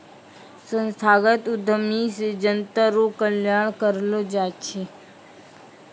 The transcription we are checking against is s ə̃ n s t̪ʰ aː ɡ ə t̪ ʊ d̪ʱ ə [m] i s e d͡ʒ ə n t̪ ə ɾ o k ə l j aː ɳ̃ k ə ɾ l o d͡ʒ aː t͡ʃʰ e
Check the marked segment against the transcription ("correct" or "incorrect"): correct